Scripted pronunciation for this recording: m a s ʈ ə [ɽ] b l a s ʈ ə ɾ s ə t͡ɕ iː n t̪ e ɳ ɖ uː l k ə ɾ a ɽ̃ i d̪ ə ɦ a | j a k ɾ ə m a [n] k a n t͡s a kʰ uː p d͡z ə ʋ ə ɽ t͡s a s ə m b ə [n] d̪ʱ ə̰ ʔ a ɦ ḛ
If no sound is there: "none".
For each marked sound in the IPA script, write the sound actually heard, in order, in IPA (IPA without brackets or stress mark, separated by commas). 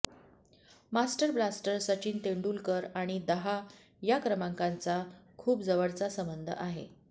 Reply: ɾ, ŋ, n